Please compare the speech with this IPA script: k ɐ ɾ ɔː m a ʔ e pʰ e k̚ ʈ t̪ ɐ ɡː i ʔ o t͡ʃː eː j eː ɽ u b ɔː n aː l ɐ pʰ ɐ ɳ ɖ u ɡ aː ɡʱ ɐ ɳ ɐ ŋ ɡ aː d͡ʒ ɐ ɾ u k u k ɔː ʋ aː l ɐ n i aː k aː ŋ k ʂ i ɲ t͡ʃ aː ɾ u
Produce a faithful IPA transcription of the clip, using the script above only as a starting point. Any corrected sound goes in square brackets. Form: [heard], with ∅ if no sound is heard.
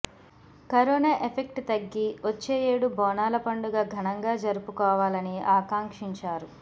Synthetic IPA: k ɐ ɾ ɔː [n] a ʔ e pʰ e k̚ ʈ t̪ ɐ ɡː i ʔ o t͡ʃː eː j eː ɽ u b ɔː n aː l ɐ [p] ɐ ɳ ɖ u ɡ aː ɡʱ ɐ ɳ ɐ ŋ ɡ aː d͡ʒ ɐ ɾ u [p] u k ɔː ʋ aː l ɐ n i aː k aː ŋ k ʂ i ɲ t͡ʃ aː ɾ u

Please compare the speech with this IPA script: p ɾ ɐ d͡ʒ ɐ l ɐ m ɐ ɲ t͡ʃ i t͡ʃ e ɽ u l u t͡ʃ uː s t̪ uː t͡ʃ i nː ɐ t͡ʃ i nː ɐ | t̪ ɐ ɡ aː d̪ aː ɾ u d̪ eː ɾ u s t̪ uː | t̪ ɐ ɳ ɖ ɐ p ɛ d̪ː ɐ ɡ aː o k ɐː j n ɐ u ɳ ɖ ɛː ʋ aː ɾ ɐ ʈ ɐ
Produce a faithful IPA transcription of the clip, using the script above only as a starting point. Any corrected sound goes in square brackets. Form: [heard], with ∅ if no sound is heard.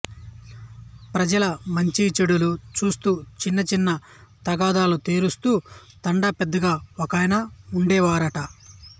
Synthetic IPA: p ɾ ɐ d͡ʒ ɐ l ɐ m ɐ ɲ t͡ʃ i t͡ʃ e ɽ u l u t͡ʃ uː s t̪ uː t͡ʃ i nː ɐ t͡ʃ i nː ɐ | t̪ ɐ ɡ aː d̪ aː [l] u [t̪] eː ɾ u s t̪ uː | t̪ ɐ ɳ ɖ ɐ p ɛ d̪ː ɐ ɡ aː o k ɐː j n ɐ u ɳ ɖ ɛː ʋ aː ɾ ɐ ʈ ɐ

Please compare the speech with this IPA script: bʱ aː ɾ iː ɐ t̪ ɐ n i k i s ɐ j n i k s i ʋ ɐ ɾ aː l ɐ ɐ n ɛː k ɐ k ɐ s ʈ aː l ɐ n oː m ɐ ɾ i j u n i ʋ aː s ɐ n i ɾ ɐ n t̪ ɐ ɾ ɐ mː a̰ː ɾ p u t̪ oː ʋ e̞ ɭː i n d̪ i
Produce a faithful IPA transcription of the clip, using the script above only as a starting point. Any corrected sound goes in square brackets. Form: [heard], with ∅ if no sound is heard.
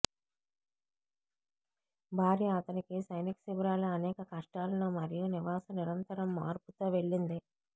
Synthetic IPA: bʱ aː ɾ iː ɐ t̪ ɐ n i k i s ɐ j n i k s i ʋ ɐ ɾ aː l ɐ ɐ n ɛː k ɐ k ɐ [ʂ] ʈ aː l ɐ n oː m ɐ ɾ i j u n i ʋ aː s ɐ n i ɾ ɐ n t̪ ɐ ɾ ɐ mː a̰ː ɾ p u t̪ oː ʋ e̞ ɭː i n d̪ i

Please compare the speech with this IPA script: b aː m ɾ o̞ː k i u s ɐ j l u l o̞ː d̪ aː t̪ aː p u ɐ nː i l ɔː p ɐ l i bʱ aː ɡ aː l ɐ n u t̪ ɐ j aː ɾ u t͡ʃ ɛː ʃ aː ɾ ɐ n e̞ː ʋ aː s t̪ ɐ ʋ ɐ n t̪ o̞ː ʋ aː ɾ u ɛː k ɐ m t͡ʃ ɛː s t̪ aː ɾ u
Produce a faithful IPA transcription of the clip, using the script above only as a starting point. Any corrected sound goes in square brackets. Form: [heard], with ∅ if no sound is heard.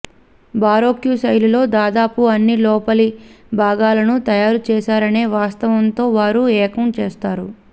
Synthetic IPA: b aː [∅] ɾ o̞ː k [j] u s ɐ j l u l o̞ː d̪ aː [d̪] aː p u ɐ nː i l ɔː p ɐ l i bʱ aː ɡ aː l ɐ n u t̪ ɐ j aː ɾ u t͡ʃ ɛː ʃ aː ɾ ɐ n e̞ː ʋ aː s t̪ ɐ ʋ ɐ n t̪ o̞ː ʋ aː ɾ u ɛː k ɐ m t͡ʃ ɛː s t̪ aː ɾ u

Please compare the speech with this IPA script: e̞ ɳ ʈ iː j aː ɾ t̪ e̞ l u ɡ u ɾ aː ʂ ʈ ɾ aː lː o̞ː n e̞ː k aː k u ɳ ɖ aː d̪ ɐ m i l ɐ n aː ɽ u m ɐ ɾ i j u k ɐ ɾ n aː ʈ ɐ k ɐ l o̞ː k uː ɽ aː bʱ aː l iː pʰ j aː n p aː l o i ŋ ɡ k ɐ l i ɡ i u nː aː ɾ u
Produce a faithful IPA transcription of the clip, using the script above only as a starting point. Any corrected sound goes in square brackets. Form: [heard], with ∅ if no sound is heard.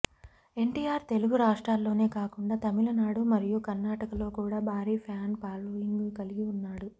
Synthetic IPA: e̞ ɳ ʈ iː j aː ɾ t̪ e̞ l u ɡ u ɾ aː ʂ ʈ ɾ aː lː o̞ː n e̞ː k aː k u ɳ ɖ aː [t̪] ɐ m i l ɐ n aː ɽ u m ɐ ɾ i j u k ɐ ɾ n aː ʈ ɐ k ɐ l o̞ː k uː ɽ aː bʱ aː [ɾ] iː pʰ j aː n p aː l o i ŋ ɡ k ɐ l i ɡ i u nː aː [ɽ] u

